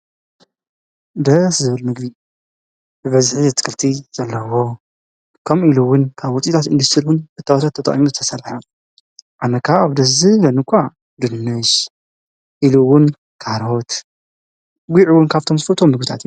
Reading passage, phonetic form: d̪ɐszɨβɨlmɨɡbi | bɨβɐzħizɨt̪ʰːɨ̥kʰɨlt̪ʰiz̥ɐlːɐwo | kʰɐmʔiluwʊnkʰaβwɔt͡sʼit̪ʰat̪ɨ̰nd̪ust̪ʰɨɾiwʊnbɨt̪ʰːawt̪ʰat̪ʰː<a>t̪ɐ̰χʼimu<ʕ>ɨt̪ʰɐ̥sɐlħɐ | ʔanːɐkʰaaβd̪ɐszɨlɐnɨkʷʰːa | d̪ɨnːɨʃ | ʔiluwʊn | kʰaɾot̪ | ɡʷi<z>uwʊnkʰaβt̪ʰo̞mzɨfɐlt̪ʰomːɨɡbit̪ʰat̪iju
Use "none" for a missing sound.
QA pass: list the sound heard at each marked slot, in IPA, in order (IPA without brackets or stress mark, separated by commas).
ɐ, z, ʕ